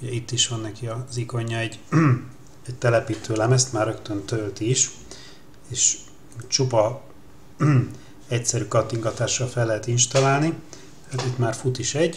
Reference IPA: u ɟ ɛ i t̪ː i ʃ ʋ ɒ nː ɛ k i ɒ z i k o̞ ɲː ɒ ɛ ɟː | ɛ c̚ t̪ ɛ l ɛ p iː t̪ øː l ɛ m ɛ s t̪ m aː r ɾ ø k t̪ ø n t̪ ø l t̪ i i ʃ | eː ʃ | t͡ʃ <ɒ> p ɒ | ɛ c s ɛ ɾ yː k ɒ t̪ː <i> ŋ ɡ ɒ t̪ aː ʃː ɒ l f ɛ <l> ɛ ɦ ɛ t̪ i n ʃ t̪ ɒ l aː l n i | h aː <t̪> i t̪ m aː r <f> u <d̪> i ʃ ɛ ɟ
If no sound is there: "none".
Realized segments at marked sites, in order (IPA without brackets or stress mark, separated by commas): u, i, lː, t̪, f, t̪